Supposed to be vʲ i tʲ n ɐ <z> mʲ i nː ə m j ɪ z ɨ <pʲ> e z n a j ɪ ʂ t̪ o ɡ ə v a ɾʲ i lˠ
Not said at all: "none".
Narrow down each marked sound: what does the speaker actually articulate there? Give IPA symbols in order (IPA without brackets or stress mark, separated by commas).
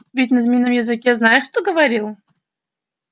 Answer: z, kʲ